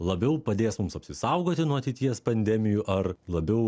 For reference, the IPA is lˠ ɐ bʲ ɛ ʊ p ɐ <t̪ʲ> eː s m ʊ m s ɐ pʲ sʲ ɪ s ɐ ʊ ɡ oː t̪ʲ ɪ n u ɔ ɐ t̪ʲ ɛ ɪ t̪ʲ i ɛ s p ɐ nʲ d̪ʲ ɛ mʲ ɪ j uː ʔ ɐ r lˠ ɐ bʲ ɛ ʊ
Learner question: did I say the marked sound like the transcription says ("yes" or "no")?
no